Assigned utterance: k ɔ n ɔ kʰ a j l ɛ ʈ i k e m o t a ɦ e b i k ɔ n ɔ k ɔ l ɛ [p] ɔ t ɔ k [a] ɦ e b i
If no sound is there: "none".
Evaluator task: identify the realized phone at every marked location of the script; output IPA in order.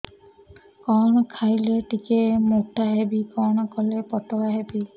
p, a

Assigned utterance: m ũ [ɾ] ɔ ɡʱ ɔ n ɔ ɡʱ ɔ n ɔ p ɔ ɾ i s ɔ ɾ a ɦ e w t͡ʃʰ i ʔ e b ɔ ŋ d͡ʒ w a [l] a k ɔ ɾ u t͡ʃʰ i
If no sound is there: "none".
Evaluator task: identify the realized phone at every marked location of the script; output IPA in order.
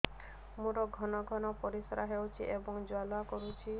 ɾ, l

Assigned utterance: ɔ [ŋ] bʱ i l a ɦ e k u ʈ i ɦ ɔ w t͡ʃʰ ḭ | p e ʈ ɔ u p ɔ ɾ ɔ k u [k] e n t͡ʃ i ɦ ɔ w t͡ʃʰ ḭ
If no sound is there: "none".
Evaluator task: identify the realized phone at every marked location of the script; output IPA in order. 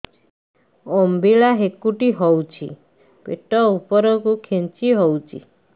m, kʰ

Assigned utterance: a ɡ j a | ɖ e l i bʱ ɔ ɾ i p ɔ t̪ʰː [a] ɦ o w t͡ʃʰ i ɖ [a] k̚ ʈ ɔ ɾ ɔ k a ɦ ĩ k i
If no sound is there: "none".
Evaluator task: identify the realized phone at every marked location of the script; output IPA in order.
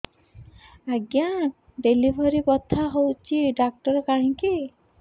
a, a

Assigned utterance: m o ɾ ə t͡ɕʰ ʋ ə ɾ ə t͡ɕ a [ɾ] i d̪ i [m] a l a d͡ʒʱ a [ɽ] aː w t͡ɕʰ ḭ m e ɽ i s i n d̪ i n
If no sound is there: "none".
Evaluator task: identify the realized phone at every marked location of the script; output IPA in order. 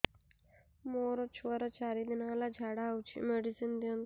ɾ, n, ɽ

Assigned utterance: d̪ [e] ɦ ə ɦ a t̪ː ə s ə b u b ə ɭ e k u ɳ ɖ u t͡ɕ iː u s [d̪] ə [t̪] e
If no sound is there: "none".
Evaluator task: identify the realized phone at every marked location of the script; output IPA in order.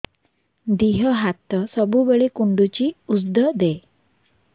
i, d̪, d̪

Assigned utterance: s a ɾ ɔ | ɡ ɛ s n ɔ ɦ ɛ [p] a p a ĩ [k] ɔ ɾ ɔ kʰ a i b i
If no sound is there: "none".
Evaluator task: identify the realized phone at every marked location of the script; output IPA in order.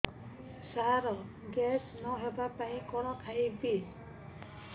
b, k

